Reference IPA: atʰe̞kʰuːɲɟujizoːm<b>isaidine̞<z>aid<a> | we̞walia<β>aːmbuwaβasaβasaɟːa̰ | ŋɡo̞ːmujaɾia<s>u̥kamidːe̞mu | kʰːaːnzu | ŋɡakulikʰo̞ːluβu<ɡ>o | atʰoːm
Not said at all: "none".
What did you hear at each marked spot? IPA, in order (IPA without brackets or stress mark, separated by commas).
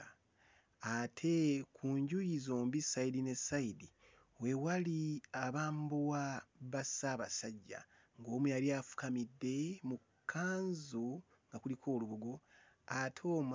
b, s, i, β, f, ɡ